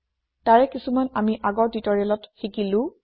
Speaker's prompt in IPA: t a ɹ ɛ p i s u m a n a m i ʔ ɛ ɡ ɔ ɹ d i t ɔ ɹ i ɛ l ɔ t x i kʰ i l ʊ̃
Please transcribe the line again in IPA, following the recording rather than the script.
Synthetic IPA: t a ɹ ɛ k i s u m a n a m i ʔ a ɡ ɔ ɹ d i t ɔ ɹ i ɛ l ɔ t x i k i l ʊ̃